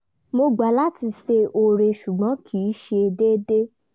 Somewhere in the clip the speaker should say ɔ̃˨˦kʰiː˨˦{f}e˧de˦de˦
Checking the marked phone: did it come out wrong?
yes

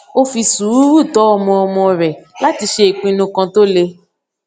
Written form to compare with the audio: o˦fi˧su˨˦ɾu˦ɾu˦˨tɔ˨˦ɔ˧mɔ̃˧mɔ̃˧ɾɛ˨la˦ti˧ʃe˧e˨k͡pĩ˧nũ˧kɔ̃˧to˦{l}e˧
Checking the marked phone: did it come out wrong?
no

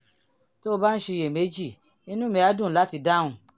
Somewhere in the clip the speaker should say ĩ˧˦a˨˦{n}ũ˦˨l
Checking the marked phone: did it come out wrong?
yes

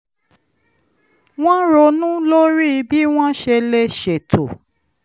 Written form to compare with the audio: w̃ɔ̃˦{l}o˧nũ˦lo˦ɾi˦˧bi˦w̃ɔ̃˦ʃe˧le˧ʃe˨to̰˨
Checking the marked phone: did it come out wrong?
yes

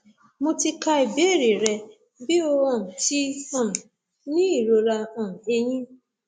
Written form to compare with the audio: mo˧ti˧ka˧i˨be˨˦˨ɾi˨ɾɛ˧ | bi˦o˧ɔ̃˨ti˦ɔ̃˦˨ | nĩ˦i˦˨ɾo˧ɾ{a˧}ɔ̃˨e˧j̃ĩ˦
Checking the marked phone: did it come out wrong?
no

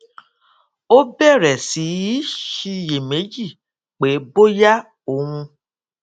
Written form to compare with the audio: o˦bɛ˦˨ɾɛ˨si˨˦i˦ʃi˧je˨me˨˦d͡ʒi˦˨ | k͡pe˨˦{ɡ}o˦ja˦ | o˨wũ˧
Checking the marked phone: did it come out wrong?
yes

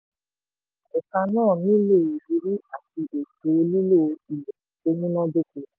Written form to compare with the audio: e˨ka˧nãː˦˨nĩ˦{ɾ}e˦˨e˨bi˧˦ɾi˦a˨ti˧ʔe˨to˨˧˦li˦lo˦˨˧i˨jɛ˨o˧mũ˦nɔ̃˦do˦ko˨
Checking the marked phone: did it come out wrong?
yes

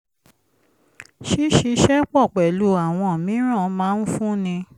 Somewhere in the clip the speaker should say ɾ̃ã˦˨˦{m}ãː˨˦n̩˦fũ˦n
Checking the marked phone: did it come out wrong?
no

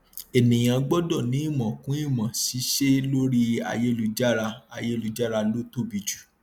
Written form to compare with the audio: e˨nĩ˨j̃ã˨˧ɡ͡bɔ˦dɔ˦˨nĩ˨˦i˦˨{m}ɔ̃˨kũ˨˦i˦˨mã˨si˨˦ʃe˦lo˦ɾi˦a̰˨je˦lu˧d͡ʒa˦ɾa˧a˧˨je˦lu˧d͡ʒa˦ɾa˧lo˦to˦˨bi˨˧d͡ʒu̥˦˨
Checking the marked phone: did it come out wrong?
no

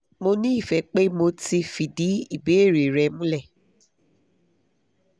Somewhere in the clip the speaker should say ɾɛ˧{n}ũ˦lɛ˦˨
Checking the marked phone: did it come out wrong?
yes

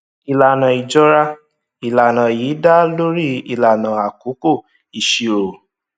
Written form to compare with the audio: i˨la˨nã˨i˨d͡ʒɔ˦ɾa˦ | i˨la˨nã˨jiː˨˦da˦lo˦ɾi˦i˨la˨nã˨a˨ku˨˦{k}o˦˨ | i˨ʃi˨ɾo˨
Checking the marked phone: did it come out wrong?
no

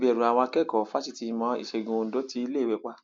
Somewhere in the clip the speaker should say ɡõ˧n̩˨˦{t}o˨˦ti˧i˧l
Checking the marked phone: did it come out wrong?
yes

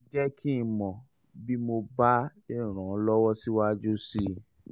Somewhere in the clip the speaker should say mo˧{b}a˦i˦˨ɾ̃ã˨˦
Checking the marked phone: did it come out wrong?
no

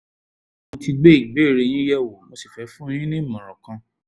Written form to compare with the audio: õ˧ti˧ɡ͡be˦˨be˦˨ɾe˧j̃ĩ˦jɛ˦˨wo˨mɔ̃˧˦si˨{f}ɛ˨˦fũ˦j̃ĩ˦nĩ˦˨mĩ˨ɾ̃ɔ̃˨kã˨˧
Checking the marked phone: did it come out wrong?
no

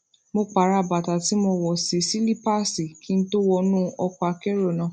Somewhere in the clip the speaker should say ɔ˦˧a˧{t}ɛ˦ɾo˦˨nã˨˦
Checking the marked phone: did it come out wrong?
yes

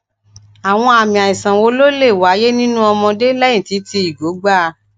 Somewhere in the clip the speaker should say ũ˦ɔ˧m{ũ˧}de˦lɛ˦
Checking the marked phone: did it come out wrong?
yes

